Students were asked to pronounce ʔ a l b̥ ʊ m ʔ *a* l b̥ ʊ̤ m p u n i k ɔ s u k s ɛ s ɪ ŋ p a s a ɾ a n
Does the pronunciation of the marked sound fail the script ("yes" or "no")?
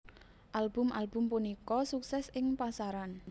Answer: no